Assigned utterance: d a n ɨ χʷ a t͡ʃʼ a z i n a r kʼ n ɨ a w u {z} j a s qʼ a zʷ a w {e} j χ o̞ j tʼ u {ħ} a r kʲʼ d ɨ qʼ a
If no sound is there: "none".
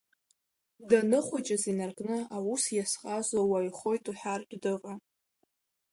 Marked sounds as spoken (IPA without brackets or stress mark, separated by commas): s, a, ħ